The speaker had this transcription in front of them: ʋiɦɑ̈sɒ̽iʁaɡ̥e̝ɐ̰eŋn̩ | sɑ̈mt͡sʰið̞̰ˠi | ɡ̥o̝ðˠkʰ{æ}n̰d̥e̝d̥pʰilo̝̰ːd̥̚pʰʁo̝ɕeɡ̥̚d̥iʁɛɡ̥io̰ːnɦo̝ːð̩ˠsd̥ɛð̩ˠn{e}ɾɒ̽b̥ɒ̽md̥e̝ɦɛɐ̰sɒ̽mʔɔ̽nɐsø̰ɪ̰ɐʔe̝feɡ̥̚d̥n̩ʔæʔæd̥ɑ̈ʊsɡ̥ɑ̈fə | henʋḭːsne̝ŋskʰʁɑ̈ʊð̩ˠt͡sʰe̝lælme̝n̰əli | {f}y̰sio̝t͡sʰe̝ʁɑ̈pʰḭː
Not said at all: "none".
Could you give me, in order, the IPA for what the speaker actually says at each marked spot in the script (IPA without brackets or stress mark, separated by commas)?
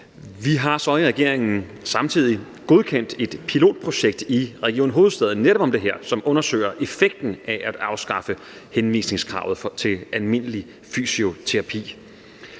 e, e, f